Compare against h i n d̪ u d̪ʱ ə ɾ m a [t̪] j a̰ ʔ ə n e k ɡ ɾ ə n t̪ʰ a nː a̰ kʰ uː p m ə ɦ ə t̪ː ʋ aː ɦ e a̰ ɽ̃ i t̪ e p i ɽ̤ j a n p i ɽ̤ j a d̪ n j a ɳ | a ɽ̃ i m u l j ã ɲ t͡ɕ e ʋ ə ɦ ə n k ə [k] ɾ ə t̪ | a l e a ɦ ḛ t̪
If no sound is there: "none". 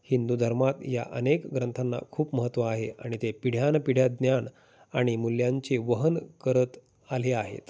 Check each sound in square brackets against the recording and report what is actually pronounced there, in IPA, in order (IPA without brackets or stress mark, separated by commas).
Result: t̪, none